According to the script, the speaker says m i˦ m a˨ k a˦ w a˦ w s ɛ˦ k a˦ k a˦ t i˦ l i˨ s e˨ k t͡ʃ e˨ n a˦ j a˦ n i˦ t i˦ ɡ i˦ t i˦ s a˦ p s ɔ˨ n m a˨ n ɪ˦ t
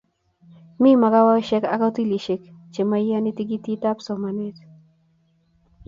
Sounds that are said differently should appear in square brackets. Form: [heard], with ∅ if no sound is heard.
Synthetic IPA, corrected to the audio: m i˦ m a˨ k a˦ w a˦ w [ʃ] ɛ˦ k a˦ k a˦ t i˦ l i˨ [ʃ] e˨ k t͡ʃ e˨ [m] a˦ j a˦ n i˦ t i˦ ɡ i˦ t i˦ [t] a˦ p s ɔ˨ [∅] m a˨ n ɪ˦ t